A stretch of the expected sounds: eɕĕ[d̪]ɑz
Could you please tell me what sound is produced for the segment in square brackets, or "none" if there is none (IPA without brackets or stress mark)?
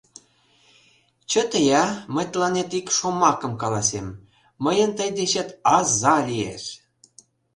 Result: t̪